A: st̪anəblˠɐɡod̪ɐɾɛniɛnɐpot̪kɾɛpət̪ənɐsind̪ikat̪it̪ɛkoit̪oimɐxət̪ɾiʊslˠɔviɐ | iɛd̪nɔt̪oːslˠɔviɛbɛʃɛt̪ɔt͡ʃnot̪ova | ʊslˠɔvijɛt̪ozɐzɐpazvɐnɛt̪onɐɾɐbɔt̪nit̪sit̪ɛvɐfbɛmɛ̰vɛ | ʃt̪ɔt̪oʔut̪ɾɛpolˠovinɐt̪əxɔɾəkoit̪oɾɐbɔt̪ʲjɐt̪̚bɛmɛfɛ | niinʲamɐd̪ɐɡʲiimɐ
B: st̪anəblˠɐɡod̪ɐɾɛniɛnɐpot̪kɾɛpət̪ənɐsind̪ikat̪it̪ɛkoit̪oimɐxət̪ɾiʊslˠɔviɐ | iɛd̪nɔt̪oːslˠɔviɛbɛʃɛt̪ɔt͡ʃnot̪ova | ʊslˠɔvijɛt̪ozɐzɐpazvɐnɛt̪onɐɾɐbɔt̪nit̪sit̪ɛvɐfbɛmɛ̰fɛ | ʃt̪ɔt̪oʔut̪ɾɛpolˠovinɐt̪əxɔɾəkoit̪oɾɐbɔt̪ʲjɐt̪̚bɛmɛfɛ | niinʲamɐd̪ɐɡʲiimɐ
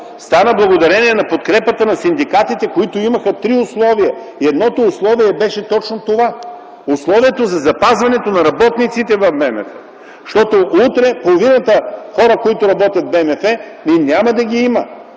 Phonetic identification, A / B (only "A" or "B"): B